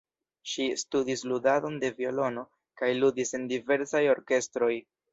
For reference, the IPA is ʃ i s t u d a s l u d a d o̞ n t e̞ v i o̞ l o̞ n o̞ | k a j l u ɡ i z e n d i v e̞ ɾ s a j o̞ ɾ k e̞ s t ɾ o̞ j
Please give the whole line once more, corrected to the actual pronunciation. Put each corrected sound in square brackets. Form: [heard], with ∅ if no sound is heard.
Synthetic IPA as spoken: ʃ i s t u d [i] s l u d a d o̞ n [d] e̞ v i o̞ l o̞ n o̞ | k a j l u [d] i [s] e n d i v e̞ ɾ s a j o̞ ɾ k e̞ s t ɾ o̞ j